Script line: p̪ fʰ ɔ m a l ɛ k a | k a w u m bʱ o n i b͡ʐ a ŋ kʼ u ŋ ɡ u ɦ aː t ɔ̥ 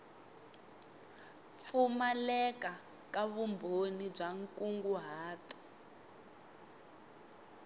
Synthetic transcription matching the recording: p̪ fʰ u m a l ɛ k a | k a β u m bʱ o n i b͡ʐ a ŋ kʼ u ŋ ɡ u ɦ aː t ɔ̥

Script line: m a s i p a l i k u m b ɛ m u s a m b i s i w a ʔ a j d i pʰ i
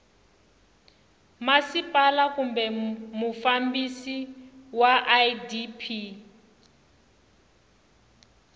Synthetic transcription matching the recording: m a s i p a l a k u m b ɛ m u f a m b i s i w a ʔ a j d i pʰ i

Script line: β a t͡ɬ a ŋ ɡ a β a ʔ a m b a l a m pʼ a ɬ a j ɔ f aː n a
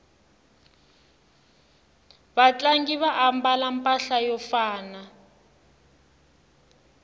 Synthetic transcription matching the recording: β a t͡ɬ a ŋ ɡ i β a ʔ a m b a l a m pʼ a ɬ a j ɔ f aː n a

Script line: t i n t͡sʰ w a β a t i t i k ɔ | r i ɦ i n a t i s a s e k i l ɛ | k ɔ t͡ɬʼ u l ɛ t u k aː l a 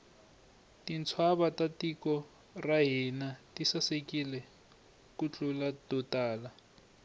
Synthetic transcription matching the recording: t i n t͡sʰ w a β a t a t i k ɔ | r a ɦ i n a t i s a s e k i l ɛ | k u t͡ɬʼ u l a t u t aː l a

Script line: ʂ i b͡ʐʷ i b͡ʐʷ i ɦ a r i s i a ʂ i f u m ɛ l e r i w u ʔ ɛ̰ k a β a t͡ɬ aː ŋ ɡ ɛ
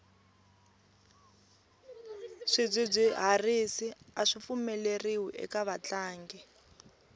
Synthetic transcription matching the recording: ʂ i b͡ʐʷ i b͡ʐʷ i ɦ a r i s i a ʂ i f u m ɛ l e r i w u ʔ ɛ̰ k a β a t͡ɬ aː ŋ ɡ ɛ

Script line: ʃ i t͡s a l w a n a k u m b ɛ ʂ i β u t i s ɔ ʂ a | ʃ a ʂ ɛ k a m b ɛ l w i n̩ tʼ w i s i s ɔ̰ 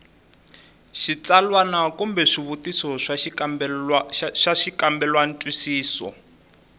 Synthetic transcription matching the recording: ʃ i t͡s a l w a n a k u m b ɛ ʂ i β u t i s ɔ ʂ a | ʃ a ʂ i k a m b ɛ l w a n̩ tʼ w i s iː s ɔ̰

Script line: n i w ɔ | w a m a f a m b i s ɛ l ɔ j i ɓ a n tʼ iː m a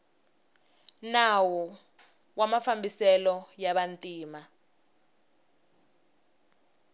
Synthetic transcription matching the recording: n a w ɔ | w a m a f a m b i s ɛ l ɔ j a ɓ a n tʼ iː m a

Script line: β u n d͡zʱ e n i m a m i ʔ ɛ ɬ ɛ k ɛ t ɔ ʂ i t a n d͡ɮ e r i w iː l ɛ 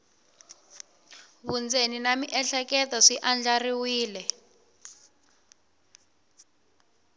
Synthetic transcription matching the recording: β u n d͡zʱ e n i n a m i ʔ ɛ ɬ ɛ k ɛ t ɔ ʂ i ʔ a n d͡ɮ a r i w iː l ɛ

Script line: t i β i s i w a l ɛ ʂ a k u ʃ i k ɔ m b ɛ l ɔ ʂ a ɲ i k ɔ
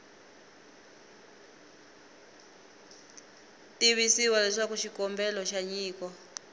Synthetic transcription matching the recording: t i β i s i w a l ɛ ʂ a k u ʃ i k ɔ m b ɛ l ɔ ʃ a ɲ iː k ɔ

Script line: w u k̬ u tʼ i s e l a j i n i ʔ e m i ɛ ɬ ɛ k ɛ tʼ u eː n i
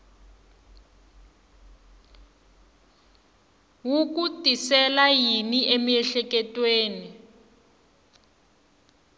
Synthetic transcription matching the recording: w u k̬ u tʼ i s ɛ l a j i n i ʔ e m i ɛ ɬ ɛ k ɛ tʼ w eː n i

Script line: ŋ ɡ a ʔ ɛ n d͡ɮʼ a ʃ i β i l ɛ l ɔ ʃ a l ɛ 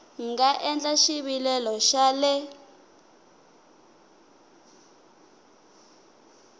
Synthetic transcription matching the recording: ŋ ɡ a ʔ ɛ n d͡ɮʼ a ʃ i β i l ɛ l ɔ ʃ a l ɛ

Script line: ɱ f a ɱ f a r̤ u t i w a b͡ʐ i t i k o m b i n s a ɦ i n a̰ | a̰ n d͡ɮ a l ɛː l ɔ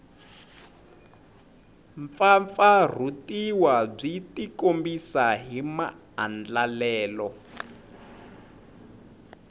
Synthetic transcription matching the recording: ɱ f a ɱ f a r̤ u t i w a b͡ʐ i t i k o m b i s a ɦ i m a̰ | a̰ n d͡ɮ a l ɛː l ɔ

